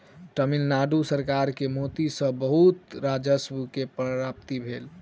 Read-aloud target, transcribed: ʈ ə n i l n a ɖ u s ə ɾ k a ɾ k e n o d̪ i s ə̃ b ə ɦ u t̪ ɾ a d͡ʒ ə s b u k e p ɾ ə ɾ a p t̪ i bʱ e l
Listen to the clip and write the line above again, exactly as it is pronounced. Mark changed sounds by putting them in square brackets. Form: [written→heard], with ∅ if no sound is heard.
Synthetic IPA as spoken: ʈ ə [n→m] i l n a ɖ u s ə ɾ k a ɾ k e [n→m] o [d̪→t̪] i s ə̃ b ə ɦ u t̪ ɾ a d͡ʒ ə s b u k e p ɾ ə ɾ a p t̪ i bʱ e l